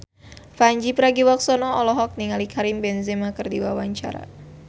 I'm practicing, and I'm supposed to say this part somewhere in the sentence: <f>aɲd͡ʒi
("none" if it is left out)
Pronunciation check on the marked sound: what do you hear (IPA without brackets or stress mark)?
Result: f